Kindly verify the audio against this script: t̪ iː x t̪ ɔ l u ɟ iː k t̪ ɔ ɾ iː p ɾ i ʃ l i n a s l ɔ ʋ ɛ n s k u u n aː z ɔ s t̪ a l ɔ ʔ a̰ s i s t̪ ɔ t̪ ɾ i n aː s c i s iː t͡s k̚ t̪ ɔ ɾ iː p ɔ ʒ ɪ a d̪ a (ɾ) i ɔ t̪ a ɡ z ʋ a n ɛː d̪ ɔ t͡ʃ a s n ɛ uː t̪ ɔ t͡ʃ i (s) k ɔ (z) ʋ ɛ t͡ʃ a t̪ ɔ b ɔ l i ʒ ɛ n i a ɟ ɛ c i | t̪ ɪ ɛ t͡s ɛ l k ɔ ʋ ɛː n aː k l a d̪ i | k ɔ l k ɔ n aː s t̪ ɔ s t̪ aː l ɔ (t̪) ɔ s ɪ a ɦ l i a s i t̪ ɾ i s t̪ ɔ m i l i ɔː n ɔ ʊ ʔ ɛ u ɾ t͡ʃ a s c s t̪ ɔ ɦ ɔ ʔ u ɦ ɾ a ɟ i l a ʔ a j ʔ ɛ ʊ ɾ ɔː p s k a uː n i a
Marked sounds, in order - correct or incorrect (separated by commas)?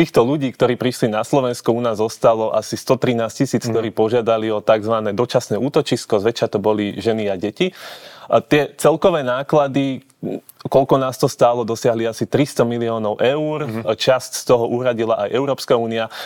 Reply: incorrect, correct, correct, incorrect